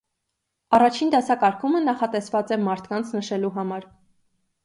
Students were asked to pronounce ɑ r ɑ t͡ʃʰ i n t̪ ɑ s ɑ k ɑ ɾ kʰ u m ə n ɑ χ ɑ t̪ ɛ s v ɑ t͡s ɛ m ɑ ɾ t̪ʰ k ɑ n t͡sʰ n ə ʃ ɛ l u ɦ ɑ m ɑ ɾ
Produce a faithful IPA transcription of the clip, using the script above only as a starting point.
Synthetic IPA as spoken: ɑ r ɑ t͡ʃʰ i n d̪ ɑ s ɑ k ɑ ɾ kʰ u m ə n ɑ χ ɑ t̪ ɛ s v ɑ t͡s ɛ m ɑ ɾ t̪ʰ k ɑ n t͡sʰ n ə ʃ ɛ l u ɦ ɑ m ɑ ɾ